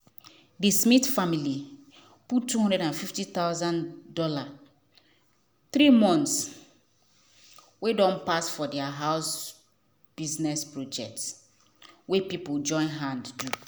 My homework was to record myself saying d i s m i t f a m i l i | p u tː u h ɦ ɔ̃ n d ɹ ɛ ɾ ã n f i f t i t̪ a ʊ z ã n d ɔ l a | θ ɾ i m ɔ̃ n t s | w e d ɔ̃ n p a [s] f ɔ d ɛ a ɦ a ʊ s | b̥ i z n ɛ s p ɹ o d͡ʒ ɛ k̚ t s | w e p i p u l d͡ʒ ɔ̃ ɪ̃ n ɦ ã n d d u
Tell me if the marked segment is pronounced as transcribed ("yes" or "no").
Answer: yes